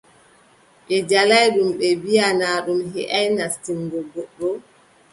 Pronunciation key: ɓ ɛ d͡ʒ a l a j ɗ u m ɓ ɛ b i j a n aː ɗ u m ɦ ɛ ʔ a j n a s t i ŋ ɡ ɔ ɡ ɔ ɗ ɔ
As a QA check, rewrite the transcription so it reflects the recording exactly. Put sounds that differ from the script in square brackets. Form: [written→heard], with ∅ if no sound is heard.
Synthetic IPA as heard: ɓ ɛ d͡ʒ a l a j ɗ u m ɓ ɛ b i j a n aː ɗ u m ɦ ɛ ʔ a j n a s t i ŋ ɡ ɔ ɡ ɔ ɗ ɔ

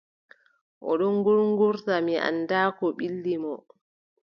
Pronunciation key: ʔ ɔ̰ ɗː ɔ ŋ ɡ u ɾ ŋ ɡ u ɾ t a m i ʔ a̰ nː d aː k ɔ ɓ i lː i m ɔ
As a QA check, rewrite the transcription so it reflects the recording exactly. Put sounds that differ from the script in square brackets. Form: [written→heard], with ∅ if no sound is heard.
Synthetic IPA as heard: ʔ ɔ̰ [ɗː→ɗ] ɔ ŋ ɡ u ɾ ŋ ɡ u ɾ t a m i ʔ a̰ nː d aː k ɔ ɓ i lː i m ɔ

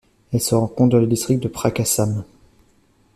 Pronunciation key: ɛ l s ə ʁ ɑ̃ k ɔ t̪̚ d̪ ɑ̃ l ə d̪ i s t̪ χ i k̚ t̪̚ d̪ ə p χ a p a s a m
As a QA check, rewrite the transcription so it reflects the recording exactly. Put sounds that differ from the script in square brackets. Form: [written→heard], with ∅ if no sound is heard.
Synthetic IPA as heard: ɛ l s ə ʁ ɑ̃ k [ɔ→ɔ̃] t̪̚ d̪ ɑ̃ l ə d̪ i s t̪ χ i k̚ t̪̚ d̪ ə p χ a [p→k] a s a m

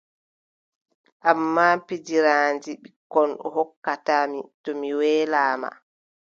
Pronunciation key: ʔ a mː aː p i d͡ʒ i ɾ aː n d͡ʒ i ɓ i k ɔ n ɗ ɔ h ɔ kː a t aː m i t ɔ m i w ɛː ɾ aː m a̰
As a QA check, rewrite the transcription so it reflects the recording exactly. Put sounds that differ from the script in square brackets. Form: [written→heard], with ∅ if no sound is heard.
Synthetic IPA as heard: ʔ a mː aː p i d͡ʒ i ɾ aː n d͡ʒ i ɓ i k ɔ n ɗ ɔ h ɔ kː a t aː m i t ɔ m i w ɛː [ɾ→l] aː m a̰

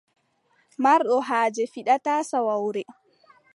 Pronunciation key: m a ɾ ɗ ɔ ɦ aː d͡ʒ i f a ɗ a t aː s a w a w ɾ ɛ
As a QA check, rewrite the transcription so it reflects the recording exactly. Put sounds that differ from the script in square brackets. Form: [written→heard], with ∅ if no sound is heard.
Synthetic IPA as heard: m a ɾ ɗ ɔ ɦ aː d͡ʒ [i→ɛ] f [a→i] ɗ a t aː s a w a w ɾ ɛ

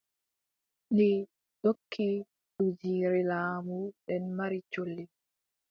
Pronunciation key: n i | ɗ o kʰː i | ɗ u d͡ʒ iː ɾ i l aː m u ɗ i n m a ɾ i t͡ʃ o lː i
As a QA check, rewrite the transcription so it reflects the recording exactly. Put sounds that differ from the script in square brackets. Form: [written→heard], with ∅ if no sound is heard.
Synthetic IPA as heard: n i | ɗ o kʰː i | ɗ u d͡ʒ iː ɾ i l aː m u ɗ [i→ɛ] n m a ɾ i t͡ʃ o lː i

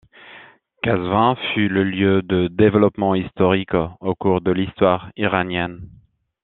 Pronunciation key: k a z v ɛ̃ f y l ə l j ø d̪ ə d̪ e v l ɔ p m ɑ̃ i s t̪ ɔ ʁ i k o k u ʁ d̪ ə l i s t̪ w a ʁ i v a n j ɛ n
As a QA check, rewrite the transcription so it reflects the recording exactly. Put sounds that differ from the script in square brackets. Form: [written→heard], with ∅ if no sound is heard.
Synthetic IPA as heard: k a z v ɛ̃ f y l ə l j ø d̪ ə d̪ e v l ɔ p m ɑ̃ i s t̪ ɔ ʁ i k o k u ʁ d̪ ə l i s t̪ w a ʁ i [v→ʁ] a n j ɛ n

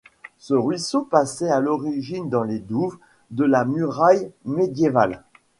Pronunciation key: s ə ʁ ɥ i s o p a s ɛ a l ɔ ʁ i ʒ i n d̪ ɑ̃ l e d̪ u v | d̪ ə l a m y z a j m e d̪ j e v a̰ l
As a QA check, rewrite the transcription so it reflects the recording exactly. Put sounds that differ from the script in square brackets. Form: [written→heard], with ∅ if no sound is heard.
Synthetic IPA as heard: s ə ʁ ɥ i s o p a s ɛ a l ɔ ʁ i ʒ i n d̪ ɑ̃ l e d̪ u v | d̪ ə l a m y [z→ʁ] a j m e d̪ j e v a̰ l

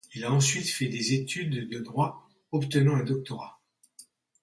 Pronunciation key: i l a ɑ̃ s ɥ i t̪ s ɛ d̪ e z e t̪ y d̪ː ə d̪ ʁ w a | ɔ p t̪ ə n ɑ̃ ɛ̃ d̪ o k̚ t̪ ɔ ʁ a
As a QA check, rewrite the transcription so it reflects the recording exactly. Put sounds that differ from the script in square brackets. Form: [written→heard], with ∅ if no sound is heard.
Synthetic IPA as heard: i l a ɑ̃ s ɥ i t̪ [s→f] ɛ d̪ e z e t̪ y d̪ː ə d̪ ʁ w a | ɔ p t̪ ə n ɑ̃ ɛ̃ d̪ [o→ɔ] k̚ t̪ ɔ ʁ a

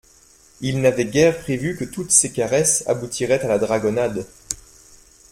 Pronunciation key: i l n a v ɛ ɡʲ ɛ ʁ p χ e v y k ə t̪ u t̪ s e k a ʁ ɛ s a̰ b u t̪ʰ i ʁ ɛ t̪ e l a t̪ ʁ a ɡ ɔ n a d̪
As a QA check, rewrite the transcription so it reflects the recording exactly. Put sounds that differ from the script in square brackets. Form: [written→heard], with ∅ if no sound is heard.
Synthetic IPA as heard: i l n a v ɛ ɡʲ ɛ ʁ p χ e v y k ə t̪ u t̪ s e k a ʁ ɛ s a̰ b u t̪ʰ i ʁ ɛ t̪ [e→a] l a [t̪→d̪] ʁ a ɡ ɔ n a d̪

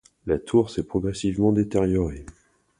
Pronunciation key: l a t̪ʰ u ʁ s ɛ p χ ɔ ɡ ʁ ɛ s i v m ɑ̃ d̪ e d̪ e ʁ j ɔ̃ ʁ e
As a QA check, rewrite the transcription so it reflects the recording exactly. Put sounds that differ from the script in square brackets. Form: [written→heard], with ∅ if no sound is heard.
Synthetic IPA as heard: l a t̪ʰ u ʁ s ɛ p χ ɔ ɡ ʁ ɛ s i v m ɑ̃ d̪ e [d̪→t̪] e ʁ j [ɔ̃→ɔ] ʁ e

